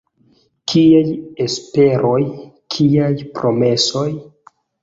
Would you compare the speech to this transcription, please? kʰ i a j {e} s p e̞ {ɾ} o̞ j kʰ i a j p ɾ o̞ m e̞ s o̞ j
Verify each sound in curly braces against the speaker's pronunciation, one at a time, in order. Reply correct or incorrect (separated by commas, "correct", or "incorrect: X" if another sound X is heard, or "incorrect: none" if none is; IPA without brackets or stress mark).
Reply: correct, correct